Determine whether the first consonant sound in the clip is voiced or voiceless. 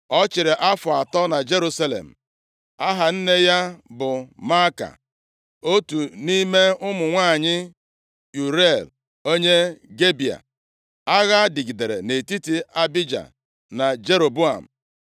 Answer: voiceless